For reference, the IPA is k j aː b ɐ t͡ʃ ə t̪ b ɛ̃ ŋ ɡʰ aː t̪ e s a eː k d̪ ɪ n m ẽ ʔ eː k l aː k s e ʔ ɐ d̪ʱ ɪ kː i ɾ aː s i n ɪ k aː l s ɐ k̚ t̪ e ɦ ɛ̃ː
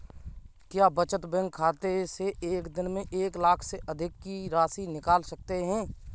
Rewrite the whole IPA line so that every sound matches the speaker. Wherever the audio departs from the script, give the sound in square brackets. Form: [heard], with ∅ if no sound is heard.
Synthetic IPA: k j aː b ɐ t͡ʃ ə t̪ b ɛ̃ ŋ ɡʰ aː t̪ e s [e] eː k d̪ ɪ n m ẽ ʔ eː k l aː [kʰ] s e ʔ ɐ d̪ʱ ɪ kː i ɾ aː s i n ɪ k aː l s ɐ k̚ t̪ e ɦ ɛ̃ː